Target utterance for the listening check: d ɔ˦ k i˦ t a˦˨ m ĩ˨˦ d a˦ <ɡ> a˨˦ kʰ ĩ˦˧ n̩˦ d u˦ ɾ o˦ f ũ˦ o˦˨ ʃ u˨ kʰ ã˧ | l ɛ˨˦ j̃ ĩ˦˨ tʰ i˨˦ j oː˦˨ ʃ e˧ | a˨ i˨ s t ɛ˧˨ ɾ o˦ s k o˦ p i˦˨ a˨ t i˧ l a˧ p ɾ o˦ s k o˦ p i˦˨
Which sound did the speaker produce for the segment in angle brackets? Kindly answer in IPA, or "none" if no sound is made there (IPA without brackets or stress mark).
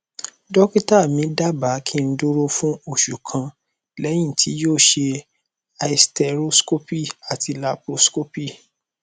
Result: b